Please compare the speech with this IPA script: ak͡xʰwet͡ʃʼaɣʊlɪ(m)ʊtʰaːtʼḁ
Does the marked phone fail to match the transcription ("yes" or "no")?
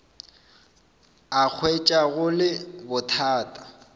yes